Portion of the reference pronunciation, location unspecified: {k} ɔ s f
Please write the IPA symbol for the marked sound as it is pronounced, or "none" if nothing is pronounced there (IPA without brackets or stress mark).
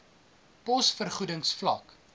p